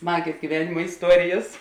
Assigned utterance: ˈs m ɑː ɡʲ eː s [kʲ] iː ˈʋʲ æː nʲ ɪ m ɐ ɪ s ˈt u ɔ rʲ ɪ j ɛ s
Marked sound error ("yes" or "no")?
yes